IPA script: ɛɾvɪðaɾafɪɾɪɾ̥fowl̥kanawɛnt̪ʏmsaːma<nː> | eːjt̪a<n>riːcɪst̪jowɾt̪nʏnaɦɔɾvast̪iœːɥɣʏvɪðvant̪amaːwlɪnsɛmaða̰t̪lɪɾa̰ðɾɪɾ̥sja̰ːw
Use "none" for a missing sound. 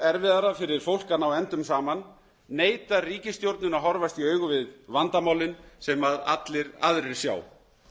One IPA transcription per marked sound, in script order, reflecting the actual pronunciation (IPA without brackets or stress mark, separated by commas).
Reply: nː, none